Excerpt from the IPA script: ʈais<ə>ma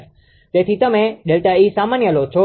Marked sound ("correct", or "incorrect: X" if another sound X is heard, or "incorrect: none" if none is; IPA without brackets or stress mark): incorrect: a